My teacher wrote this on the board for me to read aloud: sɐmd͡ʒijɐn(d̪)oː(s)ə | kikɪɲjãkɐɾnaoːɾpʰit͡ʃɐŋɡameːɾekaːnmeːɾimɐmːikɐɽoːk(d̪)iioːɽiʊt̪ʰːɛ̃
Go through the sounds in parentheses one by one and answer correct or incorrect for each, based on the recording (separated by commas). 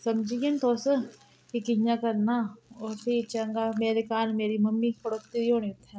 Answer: incorrect, correct, incorrect